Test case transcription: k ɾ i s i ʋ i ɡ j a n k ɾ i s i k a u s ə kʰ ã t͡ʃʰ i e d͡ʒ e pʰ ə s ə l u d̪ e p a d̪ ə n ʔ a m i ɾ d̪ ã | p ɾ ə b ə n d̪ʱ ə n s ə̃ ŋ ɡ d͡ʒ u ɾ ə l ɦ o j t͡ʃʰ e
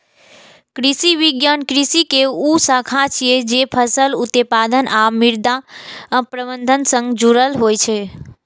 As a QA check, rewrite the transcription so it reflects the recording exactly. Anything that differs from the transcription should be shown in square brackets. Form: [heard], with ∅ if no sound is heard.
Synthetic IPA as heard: k ɾ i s i ʋ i ɡ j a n k ɾ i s i k [e] u s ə kʰ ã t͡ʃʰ i e d͡ʒ e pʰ ə s ə l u [t̪] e p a d̪ ə n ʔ a m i ɾ d̪ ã | p ɾ ə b ə n d̪ʱ ə n s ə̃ ŋ ɡ d͡ʒ u ɾ ə l ɦ o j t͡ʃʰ e